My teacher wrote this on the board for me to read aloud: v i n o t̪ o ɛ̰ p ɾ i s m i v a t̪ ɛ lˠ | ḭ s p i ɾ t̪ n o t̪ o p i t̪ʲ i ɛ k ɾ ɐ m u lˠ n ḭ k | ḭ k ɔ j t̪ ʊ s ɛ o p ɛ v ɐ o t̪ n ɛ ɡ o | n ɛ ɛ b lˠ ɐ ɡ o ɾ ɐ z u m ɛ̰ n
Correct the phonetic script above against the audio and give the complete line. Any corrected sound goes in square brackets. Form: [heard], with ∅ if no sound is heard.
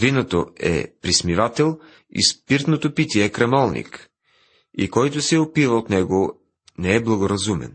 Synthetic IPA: v i n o t̪ o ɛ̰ p ɾ i s m i v a t̪ ɛ lˠ | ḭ s p i ɾ t̪ n o t̪ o p i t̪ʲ i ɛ k ɾ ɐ m [ɔ] lˠ n ḭ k | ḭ k ɔ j t̪ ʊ s ɛ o p [i] v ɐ o t̪ n ɛ ɡ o | n ɛ ɛ b lˠ ɐ ɡ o ɾ ɐ z u m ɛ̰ n